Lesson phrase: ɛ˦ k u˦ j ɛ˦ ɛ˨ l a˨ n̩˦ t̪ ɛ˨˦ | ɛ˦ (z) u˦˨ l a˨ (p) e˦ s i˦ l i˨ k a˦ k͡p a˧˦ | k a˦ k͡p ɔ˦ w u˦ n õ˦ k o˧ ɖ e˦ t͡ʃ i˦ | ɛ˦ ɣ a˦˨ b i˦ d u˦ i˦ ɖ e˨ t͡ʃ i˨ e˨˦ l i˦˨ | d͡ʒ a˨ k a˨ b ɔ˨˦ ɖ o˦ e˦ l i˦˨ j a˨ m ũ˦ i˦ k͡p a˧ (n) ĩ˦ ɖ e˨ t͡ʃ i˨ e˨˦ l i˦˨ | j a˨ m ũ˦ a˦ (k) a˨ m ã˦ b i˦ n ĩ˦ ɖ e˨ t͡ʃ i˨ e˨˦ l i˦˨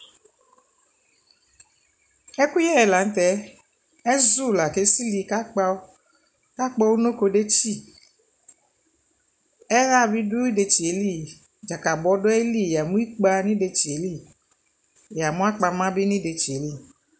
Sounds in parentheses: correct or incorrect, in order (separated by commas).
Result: correct, incorrect, correct, incorrect